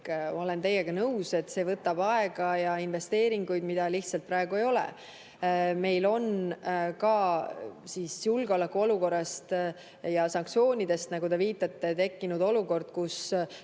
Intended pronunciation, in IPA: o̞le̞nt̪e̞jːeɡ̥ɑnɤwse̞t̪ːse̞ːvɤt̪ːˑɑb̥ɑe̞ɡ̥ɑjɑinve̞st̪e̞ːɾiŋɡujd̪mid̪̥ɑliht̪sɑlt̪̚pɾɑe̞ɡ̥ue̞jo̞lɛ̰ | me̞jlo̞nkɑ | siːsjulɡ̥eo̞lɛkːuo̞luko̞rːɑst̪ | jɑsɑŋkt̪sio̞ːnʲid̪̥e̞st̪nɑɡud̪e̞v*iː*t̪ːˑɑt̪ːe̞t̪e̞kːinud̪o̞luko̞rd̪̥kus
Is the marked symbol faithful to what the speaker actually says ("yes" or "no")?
yes